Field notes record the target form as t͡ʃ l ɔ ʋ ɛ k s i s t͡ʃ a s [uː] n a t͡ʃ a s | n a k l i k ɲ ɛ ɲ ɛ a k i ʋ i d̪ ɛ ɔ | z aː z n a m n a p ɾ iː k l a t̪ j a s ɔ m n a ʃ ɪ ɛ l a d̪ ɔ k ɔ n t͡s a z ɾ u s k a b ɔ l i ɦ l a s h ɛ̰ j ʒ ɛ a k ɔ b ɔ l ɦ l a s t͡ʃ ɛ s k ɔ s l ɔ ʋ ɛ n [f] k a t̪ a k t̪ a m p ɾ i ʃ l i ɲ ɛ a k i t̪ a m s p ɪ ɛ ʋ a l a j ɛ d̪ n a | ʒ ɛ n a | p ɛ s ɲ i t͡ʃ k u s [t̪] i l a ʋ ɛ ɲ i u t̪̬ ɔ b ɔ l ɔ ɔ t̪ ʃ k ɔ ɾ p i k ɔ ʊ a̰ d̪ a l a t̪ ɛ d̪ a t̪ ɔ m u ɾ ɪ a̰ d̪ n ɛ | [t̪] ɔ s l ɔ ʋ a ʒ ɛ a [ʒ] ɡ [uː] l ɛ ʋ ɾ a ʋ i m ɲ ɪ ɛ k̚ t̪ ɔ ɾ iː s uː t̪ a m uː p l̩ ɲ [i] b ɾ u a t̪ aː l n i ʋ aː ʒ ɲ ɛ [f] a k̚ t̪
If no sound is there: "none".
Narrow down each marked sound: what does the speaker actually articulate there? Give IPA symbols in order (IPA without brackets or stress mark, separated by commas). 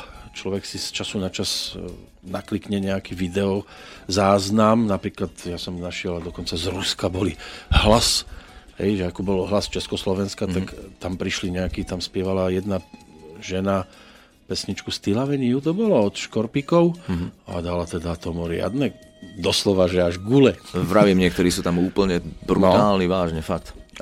u, s, t̪, d̪, ʒ, u, ɛ, f